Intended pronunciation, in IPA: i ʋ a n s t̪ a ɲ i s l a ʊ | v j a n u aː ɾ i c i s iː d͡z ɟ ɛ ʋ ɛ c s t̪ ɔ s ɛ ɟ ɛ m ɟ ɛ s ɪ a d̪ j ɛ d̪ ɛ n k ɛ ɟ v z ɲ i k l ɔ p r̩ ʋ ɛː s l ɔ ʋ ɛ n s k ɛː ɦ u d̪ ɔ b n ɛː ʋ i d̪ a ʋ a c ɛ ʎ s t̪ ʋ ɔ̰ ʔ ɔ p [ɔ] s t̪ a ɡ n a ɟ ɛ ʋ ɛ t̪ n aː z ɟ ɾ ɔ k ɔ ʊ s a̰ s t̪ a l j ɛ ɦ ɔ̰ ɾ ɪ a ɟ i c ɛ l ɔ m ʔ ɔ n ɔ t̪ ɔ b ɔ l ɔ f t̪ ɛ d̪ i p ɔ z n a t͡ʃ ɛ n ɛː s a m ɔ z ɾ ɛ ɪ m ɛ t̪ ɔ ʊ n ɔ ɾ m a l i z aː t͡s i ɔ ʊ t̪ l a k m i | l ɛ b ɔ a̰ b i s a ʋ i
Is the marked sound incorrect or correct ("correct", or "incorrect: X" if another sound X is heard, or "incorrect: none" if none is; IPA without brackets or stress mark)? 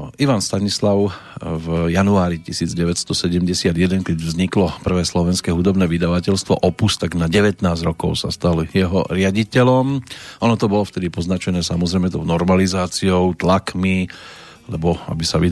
incorrect: u